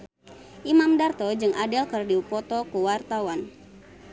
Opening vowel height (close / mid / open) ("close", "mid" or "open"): close